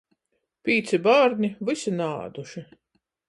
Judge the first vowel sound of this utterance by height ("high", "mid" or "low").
high